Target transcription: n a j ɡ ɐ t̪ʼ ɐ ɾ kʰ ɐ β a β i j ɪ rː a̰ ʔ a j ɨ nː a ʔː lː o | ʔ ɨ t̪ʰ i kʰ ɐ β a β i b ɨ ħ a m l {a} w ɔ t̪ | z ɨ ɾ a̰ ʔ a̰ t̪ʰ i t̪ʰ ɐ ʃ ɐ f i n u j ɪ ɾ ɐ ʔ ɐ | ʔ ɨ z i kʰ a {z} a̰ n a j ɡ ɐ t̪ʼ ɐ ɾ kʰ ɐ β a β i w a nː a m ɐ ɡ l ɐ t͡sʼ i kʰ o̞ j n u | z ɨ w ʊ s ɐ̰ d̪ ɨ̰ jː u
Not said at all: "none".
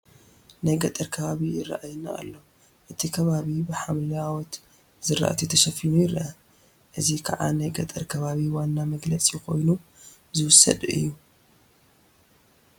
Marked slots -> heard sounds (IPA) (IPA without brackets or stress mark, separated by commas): a, ʕ